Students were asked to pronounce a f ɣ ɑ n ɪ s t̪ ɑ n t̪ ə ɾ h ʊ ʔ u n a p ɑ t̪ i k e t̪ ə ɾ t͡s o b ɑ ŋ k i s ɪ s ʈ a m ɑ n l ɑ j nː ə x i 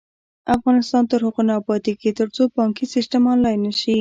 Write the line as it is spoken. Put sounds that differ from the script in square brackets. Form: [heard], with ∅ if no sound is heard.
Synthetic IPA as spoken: a f ɣ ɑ n ɪ s t̪ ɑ n t̪ ə ɾ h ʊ [q] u n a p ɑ t̪ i k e t̪ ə ɾ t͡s o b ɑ ŋ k i s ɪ s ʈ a m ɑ n l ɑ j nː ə [ʃ] i